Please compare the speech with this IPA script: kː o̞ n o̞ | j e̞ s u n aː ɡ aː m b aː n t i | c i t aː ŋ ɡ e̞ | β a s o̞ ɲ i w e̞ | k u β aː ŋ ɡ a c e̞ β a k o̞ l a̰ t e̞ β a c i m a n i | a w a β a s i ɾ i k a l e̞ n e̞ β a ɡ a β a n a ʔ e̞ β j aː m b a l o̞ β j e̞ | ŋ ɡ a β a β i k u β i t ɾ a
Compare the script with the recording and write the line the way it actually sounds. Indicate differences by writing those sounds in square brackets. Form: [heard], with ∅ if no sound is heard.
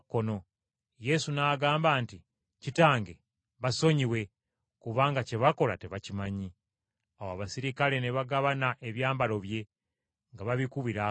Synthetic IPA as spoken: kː o̞ n o̞ | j e̞ s u n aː ɡ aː m b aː n t i | c i t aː ŋ ɡ e̞ | β a s o̞ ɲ i w e̞ | k u β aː ŋ ɡ a c e̞ β a k o̞ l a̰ t e̞ β a c i m a [ɲ] i | a w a β a s i ɾ i k a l e̞ n e̞ β a ɡ a β a n a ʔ e̞ β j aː m b a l o̞ β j e̞ | ŋ ɡ a β a β i k u β i [∅] ɾ a